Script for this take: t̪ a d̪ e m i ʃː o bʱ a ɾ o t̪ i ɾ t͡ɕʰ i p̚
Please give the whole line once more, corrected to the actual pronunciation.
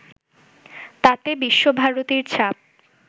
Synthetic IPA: t̪ a t̪ e b i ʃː o bʱ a ɾ o t̪ i ɾ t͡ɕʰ a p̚